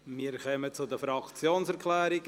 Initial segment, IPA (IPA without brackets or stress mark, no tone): m